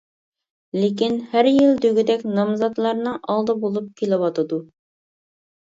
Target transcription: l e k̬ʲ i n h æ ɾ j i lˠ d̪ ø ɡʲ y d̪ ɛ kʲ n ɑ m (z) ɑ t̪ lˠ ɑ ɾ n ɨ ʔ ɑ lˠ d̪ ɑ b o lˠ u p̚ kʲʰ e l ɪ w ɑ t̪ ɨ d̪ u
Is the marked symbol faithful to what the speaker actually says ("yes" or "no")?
yes